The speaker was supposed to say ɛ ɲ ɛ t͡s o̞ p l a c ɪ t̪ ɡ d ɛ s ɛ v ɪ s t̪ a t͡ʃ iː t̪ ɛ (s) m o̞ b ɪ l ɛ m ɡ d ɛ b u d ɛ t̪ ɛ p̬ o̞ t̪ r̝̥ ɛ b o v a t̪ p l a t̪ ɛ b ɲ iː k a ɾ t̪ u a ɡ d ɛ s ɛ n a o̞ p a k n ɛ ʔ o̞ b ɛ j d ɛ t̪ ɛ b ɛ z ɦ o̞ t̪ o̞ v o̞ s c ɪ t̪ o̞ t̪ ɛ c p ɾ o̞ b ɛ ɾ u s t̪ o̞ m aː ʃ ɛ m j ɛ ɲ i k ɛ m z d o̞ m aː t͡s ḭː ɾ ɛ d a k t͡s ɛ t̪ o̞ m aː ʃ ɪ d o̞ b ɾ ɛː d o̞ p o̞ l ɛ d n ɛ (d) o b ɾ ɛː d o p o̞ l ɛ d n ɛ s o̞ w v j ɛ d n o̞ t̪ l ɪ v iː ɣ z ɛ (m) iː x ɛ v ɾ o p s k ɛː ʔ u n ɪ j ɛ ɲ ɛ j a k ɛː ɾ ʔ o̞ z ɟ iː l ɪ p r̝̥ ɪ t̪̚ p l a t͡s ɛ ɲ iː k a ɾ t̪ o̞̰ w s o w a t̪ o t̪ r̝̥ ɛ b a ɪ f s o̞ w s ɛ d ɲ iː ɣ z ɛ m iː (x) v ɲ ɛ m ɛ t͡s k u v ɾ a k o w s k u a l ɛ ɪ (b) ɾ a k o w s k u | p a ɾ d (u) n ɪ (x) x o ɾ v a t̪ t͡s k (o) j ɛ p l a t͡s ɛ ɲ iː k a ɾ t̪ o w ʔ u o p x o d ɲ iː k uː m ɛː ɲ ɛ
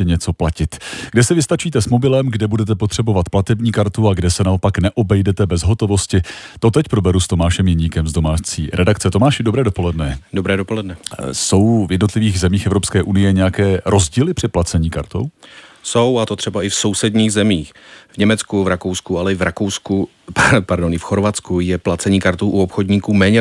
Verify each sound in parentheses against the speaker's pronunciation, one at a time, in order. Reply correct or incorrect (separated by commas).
correct, correct, correct, correct, incorrect, incorrect, incorrect, incorrect